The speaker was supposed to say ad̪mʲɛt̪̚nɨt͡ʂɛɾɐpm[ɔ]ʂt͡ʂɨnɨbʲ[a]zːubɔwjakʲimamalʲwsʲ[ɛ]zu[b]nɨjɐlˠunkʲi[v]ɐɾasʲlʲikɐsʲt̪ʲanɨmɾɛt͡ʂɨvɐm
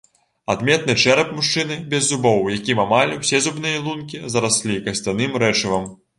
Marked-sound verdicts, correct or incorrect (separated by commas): incorrect, incorrect, correct, correct, incorrect